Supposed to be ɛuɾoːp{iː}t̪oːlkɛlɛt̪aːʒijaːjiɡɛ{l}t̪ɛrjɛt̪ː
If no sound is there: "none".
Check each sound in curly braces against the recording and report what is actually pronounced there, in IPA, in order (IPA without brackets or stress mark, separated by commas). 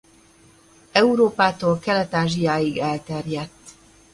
aː, l